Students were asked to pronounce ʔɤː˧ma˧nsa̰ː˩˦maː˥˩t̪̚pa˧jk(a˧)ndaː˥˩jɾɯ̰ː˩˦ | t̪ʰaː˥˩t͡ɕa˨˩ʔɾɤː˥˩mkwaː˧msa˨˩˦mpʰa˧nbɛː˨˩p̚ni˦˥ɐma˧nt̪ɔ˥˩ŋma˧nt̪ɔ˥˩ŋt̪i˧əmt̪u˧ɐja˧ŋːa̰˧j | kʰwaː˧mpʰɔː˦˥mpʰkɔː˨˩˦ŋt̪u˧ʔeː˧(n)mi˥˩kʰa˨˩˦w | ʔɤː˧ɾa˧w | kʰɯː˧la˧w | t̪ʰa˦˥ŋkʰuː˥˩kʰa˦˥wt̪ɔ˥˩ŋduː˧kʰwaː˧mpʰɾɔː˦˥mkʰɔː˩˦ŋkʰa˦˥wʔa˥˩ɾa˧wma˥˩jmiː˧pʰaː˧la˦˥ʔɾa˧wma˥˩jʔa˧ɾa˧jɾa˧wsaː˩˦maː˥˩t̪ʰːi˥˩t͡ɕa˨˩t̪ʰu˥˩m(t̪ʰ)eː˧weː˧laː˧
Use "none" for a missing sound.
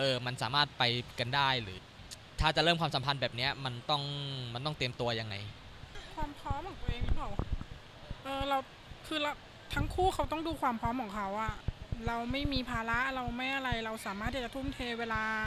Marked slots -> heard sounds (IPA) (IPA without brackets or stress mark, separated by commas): a˧, ŋ, t̪ʰ